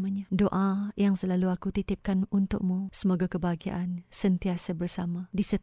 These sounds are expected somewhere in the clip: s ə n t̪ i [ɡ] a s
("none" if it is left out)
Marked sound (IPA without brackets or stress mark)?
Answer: none